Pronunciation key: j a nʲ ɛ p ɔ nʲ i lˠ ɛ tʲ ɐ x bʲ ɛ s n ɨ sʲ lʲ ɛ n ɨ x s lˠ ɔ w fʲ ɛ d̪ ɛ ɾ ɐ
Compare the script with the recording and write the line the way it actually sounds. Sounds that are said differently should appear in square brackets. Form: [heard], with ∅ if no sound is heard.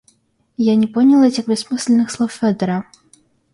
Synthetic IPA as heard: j a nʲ ɛ p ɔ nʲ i lˠ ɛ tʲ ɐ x bʲ ɛ s [m] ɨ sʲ lʲ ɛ n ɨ x s lˠ ɔ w fʲ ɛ d̪ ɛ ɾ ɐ